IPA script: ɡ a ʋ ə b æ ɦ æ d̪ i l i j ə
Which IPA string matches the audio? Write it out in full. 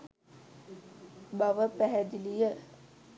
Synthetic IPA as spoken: b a ʋ ə p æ ɦ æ d̪ i l i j ə

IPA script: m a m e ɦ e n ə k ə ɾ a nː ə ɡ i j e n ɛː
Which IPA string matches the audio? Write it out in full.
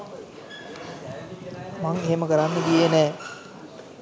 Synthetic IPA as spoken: m a ŋ e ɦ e m ə k ə ɾ a nː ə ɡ i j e n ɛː

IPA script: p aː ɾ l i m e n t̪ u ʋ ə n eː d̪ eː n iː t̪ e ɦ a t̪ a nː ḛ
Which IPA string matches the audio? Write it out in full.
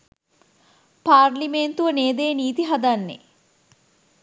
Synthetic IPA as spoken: p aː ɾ l i m e n t̪ u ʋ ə n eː d̪ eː n iː t̪ i ɦ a d̪ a nː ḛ

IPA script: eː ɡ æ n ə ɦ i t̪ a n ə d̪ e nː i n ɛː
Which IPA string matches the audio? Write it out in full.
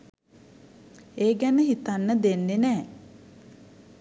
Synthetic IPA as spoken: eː ɡ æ n ə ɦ i t̪ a nː ə d̪ e nː e n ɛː

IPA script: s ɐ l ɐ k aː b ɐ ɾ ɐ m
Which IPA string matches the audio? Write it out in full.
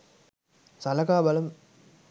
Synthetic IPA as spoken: s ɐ l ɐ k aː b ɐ l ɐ m

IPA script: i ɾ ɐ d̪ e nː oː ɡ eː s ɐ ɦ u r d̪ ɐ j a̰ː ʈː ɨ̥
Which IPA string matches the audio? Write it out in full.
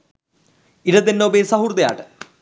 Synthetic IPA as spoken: i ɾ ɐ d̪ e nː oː b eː s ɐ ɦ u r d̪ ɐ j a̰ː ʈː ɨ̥

